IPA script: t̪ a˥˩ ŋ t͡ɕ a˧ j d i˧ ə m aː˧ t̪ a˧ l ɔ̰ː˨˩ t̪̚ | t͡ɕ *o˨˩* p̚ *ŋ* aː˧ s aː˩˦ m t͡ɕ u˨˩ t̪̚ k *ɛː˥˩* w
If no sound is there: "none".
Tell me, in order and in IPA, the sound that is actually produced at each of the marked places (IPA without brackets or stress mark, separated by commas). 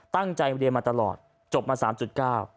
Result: o˨˩, m, aː˥˩